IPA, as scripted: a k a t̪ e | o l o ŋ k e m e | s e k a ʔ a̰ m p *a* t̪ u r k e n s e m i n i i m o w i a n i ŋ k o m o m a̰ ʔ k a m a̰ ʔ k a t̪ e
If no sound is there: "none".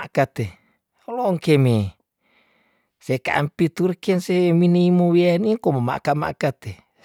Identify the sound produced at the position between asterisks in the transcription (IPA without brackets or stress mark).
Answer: i